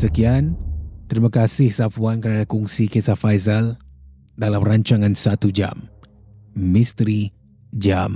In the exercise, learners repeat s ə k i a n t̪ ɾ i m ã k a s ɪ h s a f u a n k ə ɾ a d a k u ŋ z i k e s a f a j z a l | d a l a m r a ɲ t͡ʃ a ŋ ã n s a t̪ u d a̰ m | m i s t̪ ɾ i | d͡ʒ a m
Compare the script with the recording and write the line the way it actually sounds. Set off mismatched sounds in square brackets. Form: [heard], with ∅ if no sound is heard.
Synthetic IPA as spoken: s ə k i a n t̪ ɾ i m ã k a s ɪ h s a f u a n k ə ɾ a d a k u ŋ [s] i k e s a f a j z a l | d a l a m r a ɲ t͡ʃ a ŋ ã n s a t̪ u [d͡ʒ] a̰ m | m i s t̪ ɾ i | d͡ʒ a m